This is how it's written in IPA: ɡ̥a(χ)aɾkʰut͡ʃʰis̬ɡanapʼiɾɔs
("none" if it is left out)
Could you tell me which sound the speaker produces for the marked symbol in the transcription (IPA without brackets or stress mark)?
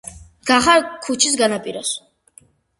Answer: χ